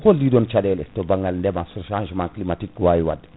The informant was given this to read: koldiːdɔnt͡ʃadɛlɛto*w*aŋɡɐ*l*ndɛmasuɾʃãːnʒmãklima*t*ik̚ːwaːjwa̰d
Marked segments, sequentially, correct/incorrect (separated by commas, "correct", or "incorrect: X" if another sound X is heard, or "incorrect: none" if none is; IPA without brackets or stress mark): incorrect: b, correct, correct